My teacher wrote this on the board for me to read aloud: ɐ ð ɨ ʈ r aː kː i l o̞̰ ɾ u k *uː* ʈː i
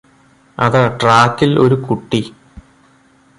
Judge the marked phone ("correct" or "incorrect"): incorrect